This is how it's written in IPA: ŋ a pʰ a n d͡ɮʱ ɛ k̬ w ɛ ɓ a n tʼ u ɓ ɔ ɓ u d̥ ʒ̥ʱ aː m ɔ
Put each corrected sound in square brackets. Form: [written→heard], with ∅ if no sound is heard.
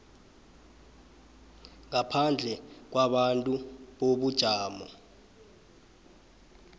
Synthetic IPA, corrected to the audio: ŋ a pʰ a n d͡ɮʱ ɛ k̬ w [ɛ→a] ɓ a n tʼ u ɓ [ɔ→o] ɓ u d̥ ʒ̥ʱ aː m ɔ